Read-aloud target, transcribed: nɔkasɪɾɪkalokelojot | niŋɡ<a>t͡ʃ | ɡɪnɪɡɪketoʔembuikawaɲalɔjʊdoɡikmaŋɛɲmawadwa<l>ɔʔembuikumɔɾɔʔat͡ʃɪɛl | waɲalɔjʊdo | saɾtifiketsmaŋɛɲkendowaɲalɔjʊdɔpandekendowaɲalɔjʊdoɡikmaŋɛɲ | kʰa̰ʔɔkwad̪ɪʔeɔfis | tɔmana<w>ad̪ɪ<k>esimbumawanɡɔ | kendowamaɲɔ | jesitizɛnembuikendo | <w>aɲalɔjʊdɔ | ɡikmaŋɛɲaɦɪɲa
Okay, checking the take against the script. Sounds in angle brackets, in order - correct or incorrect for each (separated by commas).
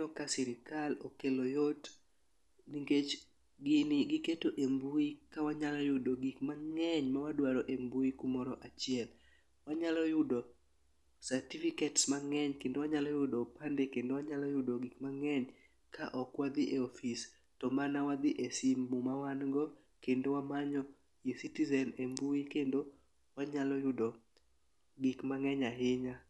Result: incorrect, incorrect, correct, incorrect, correct